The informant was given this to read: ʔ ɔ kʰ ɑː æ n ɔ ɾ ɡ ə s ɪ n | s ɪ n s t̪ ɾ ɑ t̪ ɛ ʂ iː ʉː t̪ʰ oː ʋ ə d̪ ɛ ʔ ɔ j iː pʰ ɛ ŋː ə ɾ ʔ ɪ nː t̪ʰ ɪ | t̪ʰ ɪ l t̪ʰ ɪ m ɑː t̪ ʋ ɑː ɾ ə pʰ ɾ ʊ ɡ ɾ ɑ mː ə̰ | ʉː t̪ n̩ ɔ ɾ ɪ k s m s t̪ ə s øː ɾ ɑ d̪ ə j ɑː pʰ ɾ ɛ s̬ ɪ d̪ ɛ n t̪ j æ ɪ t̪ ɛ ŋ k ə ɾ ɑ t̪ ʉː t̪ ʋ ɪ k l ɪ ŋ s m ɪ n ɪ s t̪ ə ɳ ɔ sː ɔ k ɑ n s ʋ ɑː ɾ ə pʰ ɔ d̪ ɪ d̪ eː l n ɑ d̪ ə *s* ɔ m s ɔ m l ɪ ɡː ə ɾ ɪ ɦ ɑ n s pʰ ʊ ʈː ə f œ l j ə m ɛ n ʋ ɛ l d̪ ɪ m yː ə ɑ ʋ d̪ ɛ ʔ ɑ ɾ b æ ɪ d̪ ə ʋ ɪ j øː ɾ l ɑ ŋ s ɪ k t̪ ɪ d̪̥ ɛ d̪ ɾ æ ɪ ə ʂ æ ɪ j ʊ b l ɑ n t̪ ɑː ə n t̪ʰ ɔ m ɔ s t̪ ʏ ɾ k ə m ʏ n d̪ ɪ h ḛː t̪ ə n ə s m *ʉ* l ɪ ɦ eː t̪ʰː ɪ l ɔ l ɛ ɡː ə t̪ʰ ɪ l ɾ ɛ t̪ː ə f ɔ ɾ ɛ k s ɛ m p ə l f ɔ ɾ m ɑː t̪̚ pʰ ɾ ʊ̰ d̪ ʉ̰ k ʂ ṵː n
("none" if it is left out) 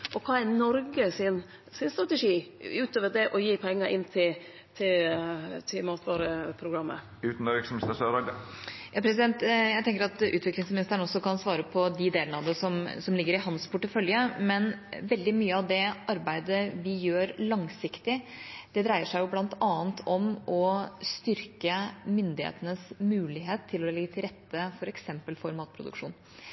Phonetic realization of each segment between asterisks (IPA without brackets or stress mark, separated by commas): s, ʉː